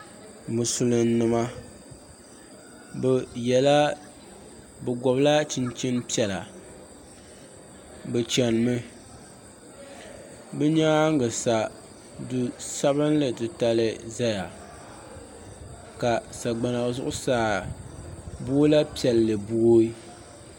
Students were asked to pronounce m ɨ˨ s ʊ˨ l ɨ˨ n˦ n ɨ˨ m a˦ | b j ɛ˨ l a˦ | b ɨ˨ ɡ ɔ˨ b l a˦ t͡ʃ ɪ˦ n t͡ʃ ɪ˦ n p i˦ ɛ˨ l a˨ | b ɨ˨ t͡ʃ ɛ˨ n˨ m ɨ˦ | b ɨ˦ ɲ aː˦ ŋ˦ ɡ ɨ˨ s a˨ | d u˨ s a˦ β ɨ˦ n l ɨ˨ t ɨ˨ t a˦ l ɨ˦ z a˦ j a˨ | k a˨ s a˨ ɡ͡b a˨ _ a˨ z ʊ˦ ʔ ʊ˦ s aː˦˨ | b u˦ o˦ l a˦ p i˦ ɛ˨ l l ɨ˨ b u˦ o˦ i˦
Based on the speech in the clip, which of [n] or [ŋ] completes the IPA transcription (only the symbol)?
n